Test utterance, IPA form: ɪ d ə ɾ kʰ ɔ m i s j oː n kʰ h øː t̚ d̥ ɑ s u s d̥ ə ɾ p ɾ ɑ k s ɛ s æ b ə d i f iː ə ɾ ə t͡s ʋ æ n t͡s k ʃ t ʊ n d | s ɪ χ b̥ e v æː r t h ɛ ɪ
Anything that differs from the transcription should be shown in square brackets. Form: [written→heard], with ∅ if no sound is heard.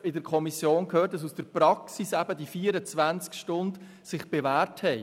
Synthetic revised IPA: ɪ d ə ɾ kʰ ɔ m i s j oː n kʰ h øː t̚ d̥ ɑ s u s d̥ ə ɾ p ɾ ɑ k s [ɛ→i] s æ b ə d i f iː ə ɾ ə t͡s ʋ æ n t͡s k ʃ t ʊ n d | s ɪ χ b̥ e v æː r t h ɛ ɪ